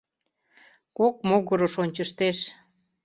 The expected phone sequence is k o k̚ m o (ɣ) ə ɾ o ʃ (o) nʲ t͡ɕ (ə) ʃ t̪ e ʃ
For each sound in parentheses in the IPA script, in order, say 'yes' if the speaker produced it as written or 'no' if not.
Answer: yes, yes, yes

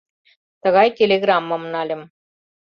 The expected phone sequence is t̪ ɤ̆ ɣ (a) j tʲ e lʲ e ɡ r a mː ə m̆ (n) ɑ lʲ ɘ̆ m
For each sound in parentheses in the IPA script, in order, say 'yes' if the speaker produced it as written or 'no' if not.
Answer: no, yes

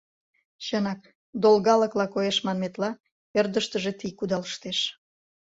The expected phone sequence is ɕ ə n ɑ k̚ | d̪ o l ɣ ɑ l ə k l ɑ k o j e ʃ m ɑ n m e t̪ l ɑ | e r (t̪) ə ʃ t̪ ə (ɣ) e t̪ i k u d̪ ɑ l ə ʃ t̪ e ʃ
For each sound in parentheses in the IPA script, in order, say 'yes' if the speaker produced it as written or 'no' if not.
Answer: no, no

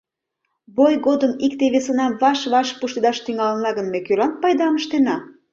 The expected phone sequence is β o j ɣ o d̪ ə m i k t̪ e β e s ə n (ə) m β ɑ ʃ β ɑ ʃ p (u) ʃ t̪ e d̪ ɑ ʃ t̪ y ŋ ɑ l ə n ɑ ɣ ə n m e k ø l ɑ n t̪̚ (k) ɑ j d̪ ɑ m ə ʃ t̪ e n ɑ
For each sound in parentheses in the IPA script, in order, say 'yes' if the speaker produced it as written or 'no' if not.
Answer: no, yes, no

